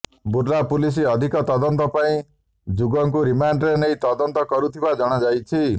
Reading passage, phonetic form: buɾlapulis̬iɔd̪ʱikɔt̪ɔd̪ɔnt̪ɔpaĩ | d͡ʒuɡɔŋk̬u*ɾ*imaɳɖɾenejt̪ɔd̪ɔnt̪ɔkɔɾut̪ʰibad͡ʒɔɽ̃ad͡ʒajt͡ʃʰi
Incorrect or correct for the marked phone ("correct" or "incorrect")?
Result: correct